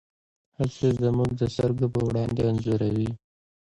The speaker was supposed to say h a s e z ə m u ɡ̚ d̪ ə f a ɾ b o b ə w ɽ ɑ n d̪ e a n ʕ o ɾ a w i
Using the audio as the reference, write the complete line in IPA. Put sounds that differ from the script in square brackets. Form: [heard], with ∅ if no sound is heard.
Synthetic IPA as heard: h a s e z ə m u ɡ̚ d̪ ə [s] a ɾ [ɡ] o [p] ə w ɽ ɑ n d̪ e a n [z] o ɾ a w i